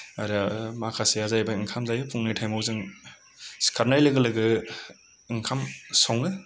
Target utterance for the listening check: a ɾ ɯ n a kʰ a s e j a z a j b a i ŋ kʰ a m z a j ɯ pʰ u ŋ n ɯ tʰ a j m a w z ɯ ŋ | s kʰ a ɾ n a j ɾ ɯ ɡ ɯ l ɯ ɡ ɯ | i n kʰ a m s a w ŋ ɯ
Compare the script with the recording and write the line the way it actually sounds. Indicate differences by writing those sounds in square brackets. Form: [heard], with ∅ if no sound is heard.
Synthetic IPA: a ɾ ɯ [m] a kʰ a s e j a z a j b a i ŋ kʰ a m z a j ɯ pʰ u ŋ n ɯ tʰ a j m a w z ɯ ŋ | s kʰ a ɾ n a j [l] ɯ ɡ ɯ l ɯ ɡ ɯ | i [ŋ] kʰ a m s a w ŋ ɯ